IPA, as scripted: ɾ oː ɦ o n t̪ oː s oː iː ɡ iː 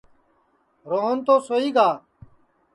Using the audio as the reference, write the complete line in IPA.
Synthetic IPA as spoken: ɾ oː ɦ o n t̪ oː s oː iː ɡ aː